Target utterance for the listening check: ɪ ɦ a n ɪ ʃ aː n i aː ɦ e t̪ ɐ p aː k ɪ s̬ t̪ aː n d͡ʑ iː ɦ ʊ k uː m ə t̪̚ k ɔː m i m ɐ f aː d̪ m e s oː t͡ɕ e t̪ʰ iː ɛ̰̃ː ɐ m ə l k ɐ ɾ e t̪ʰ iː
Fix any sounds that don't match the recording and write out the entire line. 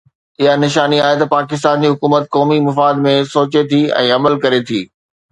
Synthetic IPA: ɪ ɦ a n ɪ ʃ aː n i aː ɦ e t̪ ɐ p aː k ɪ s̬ t̪ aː n d͡ʑ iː ɦ ʊ k uː m ə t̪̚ k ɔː m i m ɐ f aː d̪ m ẽ s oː t͡ɕ e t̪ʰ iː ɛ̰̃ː ɐ m ə l k ɐ ɾ e t̪ʰ iː